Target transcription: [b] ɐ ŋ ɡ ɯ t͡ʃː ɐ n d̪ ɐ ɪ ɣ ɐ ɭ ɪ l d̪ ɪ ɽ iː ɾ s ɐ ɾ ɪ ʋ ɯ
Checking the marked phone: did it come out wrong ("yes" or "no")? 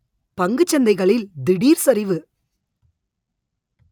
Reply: yes